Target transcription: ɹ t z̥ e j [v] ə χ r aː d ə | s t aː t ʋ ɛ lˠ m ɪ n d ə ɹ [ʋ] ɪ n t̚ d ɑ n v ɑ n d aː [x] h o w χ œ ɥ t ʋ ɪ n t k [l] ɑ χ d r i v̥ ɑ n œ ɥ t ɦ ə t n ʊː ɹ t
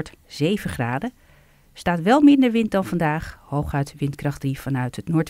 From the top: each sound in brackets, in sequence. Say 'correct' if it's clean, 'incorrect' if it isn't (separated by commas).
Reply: correct, correct, incorrect, incorrect